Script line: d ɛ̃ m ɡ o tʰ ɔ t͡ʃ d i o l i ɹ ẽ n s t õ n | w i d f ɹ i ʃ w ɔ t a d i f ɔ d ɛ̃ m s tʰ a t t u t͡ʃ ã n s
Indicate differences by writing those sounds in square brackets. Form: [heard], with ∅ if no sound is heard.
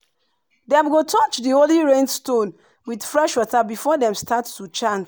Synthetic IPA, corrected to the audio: d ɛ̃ m ɡ o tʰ ɔ t͡ʃ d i o l i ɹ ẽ n s t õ n | w i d f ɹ [ɛ] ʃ w ɔ t a [b] i f ɔ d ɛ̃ m s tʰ a t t u t͡ʃ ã n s